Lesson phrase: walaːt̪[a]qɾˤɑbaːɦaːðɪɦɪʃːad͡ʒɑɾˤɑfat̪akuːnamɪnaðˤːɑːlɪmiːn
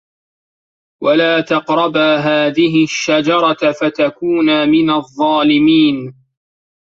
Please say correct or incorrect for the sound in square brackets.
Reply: incorrect